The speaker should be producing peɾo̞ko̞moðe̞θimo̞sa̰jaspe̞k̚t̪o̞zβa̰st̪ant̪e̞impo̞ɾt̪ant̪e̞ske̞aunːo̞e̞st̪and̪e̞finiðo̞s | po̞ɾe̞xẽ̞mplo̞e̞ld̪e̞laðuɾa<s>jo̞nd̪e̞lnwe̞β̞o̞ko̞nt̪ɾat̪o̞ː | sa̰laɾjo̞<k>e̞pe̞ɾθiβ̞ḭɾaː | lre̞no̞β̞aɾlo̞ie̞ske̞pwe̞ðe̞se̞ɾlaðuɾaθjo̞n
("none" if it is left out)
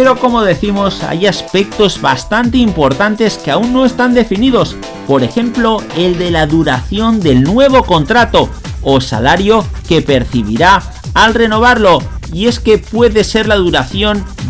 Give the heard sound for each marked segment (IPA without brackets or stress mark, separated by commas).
θ, k